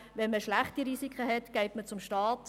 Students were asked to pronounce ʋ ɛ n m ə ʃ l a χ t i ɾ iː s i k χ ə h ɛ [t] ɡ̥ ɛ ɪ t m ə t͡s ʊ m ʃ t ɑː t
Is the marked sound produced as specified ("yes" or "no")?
yes